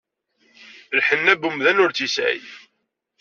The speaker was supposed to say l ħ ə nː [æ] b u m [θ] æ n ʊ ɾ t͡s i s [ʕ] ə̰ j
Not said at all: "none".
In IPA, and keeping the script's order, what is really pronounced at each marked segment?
æ, ð, ʕ

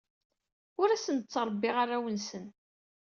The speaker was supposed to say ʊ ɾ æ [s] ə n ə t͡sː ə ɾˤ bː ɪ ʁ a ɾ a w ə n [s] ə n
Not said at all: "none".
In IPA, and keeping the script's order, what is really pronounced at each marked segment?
s, s

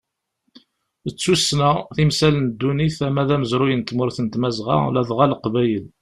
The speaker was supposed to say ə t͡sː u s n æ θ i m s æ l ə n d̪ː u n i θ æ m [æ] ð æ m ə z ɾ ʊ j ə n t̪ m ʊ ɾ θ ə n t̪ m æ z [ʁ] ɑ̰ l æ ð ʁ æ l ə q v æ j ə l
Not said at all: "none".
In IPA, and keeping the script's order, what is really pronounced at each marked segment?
æ, ʁ

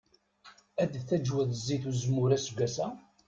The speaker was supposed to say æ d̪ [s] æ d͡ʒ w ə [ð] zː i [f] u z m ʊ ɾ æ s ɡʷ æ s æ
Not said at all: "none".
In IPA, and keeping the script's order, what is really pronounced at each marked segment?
θ, ð, θ

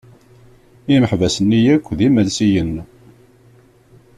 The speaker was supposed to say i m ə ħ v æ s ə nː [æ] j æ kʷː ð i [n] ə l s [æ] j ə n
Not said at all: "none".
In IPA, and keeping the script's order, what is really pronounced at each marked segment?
i, m, i

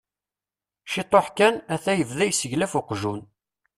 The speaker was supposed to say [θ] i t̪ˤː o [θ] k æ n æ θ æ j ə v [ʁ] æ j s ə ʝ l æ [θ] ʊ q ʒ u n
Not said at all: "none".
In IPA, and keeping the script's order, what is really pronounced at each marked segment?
ʃ, ħ, ð, f

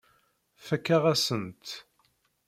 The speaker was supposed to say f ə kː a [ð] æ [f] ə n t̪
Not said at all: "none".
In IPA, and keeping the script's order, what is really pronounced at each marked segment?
ʁ, s

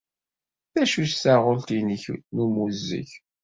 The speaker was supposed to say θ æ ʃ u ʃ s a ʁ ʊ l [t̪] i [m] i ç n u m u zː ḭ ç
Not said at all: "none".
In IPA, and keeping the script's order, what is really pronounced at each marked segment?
t̪, n

